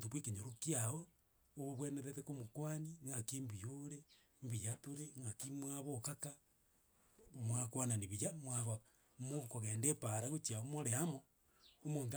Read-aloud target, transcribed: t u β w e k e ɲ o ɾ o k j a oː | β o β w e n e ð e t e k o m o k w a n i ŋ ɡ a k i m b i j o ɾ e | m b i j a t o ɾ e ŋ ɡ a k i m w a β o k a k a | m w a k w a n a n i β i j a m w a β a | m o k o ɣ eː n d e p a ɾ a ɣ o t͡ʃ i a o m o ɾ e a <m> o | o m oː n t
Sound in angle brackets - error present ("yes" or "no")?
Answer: no